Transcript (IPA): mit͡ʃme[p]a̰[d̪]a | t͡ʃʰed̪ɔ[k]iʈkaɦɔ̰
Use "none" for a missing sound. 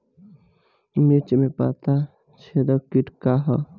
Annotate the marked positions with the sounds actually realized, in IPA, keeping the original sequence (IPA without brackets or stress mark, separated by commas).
p, t̪, k